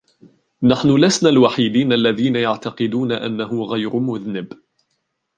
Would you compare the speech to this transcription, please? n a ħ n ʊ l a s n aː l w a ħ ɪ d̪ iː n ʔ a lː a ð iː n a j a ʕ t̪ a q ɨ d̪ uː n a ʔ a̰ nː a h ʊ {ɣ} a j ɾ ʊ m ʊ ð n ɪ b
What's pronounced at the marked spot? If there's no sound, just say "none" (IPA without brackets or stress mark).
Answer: ɣ